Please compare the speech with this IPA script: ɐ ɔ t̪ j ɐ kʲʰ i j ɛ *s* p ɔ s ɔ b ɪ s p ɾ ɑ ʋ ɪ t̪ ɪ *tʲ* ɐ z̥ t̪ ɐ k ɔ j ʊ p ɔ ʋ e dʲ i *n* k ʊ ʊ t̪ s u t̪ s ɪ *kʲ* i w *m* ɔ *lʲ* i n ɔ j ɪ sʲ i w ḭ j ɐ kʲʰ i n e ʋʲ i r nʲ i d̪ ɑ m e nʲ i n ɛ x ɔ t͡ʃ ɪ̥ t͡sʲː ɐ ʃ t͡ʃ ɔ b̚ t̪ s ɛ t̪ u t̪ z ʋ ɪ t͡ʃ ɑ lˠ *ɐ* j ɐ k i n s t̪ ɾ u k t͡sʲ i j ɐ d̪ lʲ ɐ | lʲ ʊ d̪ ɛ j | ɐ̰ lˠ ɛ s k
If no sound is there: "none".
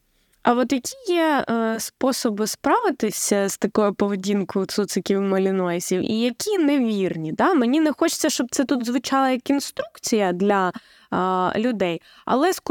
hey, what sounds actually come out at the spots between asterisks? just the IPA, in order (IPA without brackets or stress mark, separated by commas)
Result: s, sʲ, n, kʲ, m, lʲ, ɐ